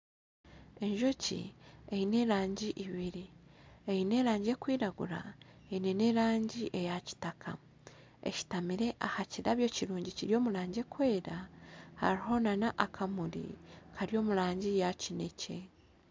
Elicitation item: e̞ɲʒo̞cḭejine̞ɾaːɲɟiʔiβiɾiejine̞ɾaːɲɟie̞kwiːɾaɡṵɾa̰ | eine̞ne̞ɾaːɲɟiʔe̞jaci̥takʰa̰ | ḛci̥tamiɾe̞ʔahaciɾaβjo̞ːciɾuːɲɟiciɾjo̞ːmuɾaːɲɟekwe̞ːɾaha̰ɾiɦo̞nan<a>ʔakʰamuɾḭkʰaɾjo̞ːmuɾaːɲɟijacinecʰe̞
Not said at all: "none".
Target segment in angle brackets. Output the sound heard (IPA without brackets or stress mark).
a